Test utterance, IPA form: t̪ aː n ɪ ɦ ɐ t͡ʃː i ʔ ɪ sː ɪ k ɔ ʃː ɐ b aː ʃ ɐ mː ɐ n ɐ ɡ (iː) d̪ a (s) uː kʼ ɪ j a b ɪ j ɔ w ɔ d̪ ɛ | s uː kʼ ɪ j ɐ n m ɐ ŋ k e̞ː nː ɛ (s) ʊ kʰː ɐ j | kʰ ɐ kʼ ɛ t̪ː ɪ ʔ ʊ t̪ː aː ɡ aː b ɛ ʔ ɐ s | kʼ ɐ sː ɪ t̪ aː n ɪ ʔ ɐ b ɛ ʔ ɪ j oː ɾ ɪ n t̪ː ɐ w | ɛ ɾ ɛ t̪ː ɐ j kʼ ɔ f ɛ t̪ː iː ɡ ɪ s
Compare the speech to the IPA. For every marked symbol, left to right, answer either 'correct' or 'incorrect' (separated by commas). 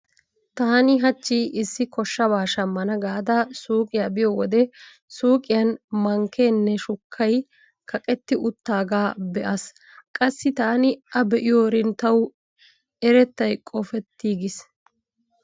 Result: incorrect, correct, incorrect